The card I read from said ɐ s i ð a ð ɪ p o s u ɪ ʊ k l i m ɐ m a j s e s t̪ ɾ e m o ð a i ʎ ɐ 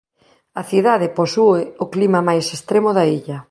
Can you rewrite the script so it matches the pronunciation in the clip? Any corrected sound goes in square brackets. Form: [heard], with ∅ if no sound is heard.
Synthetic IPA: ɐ [θ] i ð a ð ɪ p o s u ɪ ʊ k l i m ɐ m a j s e s t̪ ɾ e m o ð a i ʎ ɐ